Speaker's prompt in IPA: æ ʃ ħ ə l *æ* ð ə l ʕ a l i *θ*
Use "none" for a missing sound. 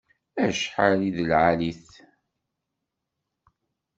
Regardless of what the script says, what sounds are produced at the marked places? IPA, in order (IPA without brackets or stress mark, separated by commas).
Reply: i, θ